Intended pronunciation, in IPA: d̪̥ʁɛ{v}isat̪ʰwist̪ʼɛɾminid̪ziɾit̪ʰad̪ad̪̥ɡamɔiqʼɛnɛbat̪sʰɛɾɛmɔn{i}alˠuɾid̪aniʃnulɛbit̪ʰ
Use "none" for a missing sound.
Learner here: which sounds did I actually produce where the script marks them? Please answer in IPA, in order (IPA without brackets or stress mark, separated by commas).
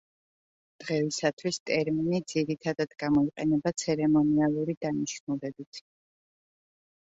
v, i